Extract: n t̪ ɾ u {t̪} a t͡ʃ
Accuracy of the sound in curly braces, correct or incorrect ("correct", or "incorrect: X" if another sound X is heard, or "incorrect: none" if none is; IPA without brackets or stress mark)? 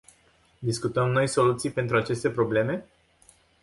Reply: incorrect: none